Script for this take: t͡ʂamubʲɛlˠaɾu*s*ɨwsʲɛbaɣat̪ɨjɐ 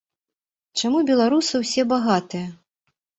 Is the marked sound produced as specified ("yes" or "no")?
yes